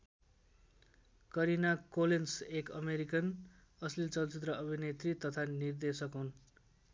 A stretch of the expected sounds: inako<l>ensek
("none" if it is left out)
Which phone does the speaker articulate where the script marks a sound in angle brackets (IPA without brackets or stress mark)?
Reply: l